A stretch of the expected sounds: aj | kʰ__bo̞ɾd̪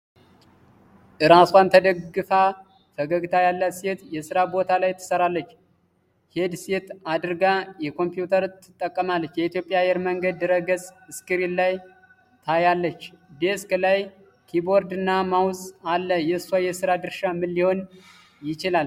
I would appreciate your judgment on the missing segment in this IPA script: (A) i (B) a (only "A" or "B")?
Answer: A